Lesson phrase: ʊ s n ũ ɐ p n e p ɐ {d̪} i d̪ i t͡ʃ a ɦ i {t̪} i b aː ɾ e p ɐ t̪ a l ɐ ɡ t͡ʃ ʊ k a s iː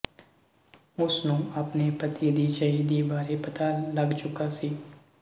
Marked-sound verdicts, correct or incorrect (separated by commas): incorrect, incorrect